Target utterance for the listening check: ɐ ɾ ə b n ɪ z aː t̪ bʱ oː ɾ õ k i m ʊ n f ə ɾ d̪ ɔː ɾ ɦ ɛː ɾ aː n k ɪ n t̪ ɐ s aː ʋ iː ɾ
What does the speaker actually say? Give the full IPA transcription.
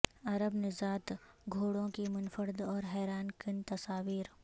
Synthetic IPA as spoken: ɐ ɾ ə b n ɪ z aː t̪ ɡʱ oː ɽ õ k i m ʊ n f ə ɾ d̪ ɔː ɾ ɦ ɛː ɾ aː n k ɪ n t̪ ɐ s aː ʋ iː ɾ